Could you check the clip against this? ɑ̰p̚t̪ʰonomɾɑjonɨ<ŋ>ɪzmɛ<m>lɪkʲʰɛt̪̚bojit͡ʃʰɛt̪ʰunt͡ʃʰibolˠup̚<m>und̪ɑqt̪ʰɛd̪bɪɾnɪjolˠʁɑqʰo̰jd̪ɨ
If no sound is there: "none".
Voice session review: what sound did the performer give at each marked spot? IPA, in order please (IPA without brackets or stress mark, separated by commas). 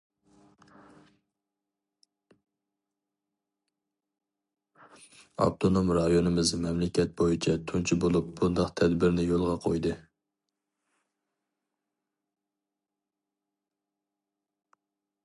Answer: m, m, b